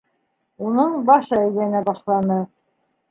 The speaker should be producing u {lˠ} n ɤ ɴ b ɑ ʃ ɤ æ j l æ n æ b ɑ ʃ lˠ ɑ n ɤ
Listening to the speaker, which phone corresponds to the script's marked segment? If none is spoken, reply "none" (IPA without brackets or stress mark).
none